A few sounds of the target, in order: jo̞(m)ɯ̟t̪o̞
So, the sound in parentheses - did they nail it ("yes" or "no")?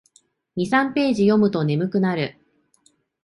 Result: yes